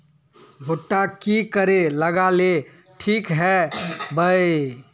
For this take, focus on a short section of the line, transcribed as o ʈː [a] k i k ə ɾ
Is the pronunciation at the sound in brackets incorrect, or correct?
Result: correct